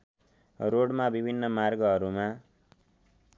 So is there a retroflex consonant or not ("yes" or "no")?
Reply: yes